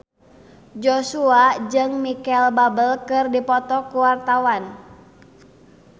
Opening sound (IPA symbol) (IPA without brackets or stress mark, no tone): d͡ʒ